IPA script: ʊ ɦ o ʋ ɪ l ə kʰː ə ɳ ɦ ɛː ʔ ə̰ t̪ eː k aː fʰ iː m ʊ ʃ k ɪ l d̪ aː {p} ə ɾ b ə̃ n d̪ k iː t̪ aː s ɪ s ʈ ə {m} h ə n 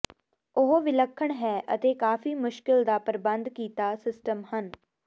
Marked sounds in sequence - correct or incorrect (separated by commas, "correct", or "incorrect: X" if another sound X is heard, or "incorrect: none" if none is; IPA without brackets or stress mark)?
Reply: correct, correct